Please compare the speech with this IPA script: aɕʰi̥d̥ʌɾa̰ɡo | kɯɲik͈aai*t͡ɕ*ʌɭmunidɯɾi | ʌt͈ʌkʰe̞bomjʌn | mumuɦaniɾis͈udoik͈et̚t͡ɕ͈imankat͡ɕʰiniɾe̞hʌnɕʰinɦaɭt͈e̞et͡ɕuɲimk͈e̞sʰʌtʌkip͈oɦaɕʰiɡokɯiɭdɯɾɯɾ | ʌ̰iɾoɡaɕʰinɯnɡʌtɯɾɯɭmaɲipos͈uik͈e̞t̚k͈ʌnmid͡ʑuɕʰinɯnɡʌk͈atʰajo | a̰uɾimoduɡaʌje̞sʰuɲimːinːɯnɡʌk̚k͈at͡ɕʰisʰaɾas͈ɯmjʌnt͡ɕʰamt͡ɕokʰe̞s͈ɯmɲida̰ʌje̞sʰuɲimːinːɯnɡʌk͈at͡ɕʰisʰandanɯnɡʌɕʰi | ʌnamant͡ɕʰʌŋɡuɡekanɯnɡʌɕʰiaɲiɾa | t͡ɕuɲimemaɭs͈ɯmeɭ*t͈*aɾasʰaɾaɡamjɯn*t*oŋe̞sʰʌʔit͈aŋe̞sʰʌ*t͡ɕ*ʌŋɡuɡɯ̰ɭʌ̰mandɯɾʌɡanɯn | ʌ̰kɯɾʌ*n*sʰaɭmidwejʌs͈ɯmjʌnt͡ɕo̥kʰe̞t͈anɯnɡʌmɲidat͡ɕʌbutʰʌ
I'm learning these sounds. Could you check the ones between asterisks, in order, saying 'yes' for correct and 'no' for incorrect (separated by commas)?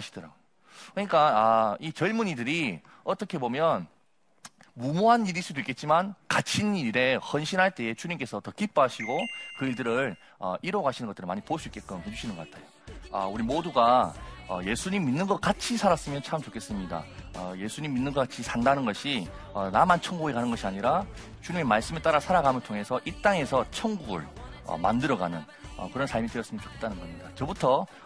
yes, yes, no, no, yes